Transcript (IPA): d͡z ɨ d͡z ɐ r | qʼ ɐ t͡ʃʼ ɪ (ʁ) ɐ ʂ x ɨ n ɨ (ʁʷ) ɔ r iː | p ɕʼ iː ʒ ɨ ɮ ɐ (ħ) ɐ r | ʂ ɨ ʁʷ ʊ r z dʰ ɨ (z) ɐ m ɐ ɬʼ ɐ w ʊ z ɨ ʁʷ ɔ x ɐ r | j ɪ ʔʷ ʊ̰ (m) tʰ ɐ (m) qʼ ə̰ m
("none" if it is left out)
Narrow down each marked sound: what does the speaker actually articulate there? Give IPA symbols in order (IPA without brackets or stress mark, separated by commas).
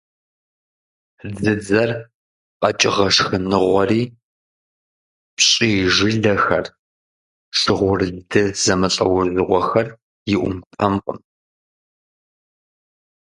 ʁ, ʁʷ, x, z, m, m